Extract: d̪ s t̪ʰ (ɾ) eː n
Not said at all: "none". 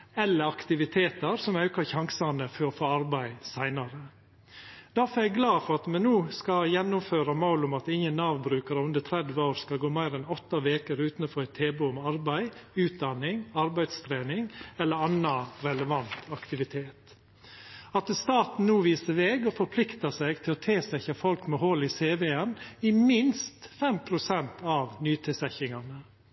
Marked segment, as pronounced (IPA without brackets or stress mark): ɾ